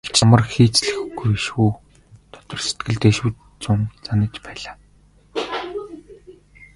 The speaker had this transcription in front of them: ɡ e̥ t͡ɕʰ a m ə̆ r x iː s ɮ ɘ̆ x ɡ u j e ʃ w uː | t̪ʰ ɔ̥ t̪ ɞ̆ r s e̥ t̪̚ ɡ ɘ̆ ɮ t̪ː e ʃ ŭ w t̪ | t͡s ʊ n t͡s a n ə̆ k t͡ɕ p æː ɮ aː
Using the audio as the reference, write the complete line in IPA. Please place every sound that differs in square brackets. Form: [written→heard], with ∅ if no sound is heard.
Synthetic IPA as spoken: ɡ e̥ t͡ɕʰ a m ə̆ r x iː [s→t͡s] ɮ ɘ̆ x ɡ u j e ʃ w uː | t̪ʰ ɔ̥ t̪ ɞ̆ r s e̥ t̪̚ ɡ ɘ̆ ɮ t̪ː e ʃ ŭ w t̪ | t͡s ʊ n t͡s a n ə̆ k t͡ɕ p æː ɮ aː